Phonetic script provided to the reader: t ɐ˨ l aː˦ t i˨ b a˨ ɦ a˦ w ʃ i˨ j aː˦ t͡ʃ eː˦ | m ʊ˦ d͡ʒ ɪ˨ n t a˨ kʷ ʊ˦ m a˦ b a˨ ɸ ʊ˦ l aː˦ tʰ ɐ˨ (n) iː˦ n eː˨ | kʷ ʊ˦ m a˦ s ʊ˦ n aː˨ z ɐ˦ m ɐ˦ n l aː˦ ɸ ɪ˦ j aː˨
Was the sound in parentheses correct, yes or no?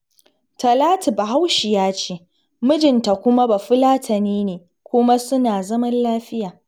yes